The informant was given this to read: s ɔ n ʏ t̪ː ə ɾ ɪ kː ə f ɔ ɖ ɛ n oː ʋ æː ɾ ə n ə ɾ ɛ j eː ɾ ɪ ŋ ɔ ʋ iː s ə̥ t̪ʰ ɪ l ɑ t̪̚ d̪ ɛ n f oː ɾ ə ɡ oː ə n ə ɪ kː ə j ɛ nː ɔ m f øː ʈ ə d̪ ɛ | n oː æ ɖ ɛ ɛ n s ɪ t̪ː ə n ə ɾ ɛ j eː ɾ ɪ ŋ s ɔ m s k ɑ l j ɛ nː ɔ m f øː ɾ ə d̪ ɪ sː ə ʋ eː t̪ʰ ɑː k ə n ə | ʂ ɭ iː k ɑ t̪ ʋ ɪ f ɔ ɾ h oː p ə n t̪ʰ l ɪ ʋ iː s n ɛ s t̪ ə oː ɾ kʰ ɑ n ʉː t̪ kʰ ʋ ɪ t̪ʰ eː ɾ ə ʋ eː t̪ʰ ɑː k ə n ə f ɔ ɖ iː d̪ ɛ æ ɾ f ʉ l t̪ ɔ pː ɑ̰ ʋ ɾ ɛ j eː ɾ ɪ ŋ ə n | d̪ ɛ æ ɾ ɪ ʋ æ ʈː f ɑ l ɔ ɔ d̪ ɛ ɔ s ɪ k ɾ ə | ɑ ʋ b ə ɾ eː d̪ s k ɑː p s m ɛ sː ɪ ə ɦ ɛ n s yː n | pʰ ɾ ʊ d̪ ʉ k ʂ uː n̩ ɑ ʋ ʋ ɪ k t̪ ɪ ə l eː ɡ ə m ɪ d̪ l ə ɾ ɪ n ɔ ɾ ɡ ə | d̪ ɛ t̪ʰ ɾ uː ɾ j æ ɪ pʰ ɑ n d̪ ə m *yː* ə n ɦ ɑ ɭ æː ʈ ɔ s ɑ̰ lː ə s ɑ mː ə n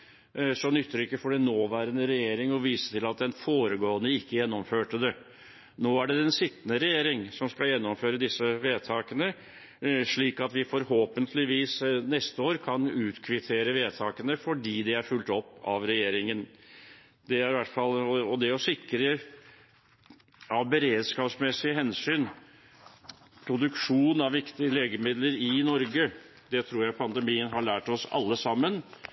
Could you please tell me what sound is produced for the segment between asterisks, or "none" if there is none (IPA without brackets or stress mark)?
iː